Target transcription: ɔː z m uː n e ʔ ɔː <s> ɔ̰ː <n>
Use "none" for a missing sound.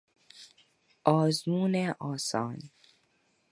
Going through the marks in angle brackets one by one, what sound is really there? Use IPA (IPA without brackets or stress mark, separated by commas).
s, n